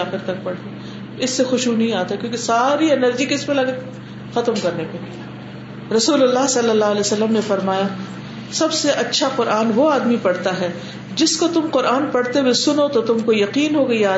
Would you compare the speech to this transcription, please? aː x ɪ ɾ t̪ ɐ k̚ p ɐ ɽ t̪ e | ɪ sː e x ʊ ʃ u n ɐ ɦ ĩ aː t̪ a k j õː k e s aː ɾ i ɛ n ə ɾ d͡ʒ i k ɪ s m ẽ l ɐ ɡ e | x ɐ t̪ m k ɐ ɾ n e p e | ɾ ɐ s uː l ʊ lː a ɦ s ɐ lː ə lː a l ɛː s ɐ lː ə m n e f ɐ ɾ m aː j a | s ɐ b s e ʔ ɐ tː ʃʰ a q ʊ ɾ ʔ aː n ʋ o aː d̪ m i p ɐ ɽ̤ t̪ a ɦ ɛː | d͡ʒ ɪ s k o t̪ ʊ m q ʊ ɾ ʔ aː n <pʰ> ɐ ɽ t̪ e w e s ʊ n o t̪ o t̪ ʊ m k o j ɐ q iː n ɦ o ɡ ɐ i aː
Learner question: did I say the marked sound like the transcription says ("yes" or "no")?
no